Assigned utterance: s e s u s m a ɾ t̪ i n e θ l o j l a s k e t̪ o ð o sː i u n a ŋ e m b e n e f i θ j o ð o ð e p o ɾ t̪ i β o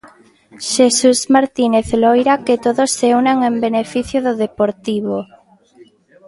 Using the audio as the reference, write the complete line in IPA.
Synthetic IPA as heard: ʃ e s u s m a ɾ t̪ i n e θ l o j ɾ a k e t̪ o ð o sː e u n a ŋ e m b e n e f i θ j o ð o ð e p o ɾ t̪ i β o